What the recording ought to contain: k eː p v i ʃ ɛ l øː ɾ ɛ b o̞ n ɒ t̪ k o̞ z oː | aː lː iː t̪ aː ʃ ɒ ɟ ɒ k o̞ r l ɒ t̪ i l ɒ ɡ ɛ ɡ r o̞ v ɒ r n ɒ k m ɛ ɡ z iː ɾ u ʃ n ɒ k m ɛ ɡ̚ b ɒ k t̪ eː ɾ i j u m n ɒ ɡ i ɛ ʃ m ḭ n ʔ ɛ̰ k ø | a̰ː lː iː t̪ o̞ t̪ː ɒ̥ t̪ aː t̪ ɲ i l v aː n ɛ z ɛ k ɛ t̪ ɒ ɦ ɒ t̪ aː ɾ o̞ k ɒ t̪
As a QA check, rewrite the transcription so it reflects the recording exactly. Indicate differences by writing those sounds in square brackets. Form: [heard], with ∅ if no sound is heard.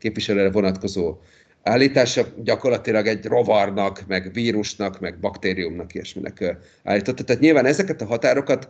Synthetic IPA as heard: k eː p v i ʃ ɛ l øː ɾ ɛ [v] o̞ n ɒ t̪ k o̞ z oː | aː lː iː t̪ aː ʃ ɒ ɟ ɒ k o̞ r l ɒ t̪ i l ɒ ɡ ɛ [ɟ] r o̞ v ɒ r n ɒ k m ɛ ɡ [v] iː ɾ u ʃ n ɒ k m ɛ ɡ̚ b ɒ k t̪ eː ɾ i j u m n ɒ [k] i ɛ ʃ m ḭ n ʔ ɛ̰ k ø | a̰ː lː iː t̪ o̞ t̪ː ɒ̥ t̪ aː t̪ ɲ i l v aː n ɛ z ɛ k ɛ t̪ ɒ ɦ ɒ t̪ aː ɾ o̞ k ɒ t̪